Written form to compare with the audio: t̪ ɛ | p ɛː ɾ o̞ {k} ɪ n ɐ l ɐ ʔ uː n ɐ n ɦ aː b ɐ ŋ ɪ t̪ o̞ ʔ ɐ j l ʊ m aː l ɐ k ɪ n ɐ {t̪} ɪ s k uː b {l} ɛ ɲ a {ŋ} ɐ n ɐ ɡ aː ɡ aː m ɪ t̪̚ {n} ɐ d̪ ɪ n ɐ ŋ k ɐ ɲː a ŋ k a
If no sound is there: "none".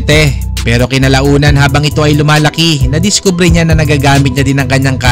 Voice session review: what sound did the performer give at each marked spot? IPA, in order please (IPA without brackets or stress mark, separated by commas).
k, d̪, ɾ, n, ɲ